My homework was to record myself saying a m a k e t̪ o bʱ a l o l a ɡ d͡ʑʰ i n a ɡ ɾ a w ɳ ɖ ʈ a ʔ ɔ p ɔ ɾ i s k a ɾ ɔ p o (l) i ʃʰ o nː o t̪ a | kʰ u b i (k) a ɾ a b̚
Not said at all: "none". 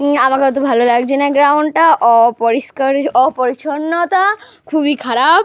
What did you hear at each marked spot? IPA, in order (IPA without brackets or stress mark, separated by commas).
ɾ, kʰ